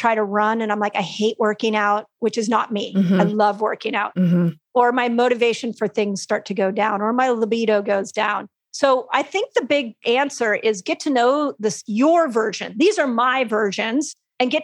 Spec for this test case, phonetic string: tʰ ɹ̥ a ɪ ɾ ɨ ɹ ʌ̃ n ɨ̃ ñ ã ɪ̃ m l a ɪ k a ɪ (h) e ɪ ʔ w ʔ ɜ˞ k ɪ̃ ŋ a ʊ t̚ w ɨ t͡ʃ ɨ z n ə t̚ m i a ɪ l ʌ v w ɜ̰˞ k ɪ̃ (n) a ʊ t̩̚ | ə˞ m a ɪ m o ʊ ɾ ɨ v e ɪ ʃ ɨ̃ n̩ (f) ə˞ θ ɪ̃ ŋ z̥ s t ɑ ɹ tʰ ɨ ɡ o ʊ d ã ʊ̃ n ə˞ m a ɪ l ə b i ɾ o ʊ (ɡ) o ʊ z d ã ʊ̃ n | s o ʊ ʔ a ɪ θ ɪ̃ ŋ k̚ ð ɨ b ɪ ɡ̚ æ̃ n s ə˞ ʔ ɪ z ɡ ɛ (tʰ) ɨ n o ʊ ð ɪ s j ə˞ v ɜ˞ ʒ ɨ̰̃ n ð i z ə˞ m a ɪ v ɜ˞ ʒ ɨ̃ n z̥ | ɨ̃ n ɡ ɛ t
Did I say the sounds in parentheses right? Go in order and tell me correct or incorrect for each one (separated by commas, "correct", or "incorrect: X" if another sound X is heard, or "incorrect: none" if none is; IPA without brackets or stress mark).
correct, incorrect: ŋ, correct, correct, correct